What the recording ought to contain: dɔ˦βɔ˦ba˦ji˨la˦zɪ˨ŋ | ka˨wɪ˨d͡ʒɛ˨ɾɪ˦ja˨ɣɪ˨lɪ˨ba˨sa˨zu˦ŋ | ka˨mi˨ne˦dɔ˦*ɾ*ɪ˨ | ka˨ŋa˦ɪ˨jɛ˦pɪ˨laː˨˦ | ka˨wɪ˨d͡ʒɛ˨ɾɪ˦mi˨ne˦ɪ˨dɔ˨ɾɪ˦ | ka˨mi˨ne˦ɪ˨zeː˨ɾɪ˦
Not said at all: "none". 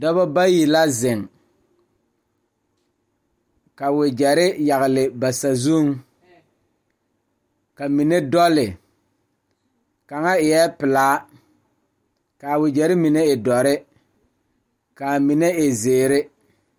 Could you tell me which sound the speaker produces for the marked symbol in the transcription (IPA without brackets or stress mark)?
l